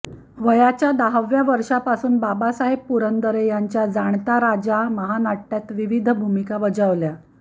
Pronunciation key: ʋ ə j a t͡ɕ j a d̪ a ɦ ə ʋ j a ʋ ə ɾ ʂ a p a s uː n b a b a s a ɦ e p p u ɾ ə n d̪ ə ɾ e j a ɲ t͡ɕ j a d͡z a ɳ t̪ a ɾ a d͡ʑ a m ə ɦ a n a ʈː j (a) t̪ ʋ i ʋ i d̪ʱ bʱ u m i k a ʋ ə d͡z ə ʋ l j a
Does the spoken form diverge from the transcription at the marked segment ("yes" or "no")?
no